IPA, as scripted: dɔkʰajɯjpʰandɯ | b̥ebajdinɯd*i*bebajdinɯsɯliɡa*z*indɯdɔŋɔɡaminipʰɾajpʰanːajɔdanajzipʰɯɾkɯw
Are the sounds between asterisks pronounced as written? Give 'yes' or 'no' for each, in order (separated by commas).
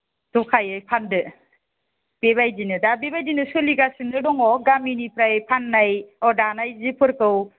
no, no